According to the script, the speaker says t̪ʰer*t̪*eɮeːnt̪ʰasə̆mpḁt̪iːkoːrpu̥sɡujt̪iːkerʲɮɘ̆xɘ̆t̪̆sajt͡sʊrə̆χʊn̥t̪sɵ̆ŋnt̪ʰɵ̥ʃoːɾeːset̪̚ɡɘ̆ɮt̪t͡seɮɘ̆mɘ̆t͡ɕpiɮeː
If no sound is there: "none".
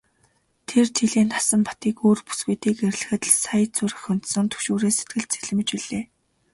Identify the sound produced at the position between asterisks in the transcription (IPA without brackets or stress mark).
t̪ʰ